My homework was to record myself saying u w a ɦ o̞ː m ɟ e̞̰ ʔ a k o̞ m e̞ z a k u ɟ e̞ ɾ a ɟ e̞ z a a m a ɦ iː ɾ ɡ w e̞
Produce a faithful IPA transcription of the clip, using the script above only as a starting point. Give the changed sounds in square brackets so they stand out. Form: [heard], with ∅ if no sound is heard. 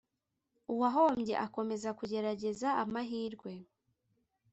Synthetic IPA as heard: u w a ɦ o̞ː m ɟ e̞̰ ʔ a k o̞ m e̞ z a k u ɟ e̞ ɾ a ɟ e̞ z a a m a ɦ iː ɾ ɡ w e̞